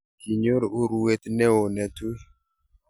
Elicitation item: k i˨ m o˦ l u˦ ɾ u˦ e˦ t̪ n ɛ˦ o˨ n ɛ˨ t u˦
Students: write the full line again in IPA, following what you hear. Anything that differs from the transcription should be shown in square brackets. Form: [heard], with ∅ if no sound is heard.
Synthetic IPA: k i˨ [ɲ] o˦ [ɾ] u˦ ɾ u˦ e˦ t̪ n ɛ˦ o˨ n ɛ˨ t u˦